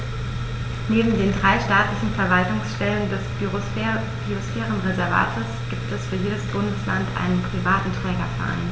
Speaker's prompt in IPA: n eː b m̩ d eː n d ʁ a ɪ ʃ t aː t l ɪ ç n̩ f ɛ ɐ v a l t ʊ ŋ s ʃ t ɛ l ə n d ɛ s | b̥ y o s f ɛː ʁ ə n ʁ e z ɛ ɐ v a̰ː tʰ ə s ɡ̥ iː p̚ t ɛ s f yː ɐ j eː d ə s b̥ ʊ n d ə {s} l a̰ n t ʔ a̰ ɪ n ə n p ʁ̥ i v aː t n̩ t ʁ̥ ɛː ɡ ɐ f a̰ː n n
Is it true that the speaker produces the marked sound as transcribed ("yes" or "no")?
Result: yes